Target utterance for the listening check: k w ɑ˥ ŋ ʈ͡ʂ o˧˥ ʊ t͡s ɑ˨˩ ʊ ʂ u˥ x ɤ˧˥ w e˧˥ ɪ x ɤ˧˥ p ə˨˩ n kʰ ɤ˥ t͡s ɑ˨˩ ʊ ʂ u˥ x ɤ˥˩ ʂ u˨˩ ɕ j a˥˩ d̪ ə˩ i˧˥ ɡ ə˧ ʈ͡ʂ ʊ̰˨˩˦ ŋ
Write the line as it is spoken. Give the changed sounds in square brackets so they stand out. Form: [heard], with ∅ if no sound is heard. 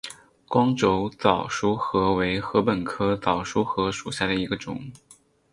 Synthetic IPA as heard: k w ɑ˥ ŋ ʈ͡ʂ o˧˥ ʊ t͡s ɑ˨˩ ʊ ʂ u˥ x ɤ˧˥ w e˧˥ ɪ x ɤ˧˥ p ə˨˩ n kʰ ɤ˥ t͡s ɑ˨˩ ʊ ʂ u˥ x [ɤ˧˥] ʂ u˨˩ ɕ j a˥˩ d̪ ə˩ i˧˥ ɡ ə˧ ʈ͡ʂ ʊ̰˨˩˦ ŋ